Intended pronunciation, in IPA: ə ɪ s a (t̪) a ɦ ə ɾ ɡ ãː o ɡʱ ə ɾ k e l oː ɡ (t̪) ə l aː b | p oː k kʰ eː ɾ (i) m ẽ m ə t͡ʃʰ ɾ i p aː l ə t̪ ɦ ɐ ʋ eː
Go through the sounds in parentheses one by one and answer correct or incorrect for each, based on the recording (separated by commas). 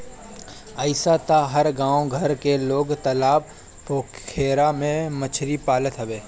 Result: correct, correct, incorrect